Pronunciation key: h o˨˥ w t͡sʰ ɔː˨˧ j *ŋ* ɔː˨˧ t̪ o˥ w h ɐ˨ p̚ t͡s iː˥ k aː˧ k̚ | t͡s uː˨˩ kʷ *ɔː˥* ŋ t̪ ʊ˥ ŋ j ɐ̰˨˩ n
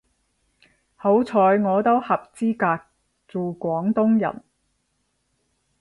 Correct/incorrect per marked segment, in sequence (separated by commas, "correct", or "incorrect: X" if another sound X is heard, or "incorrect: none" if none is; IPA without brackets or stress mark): correct, incorrect: ɔː˨˥